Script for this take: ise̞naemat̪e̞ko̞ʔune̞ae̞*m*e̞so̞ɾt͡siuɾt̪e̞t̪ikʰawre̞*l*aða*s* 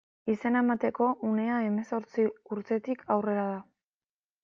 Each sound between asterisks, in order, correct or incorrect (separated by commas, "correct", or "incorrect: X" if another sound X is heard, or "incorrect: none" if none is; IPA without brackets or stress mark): correct, incorrect: ɾ, incorrect: none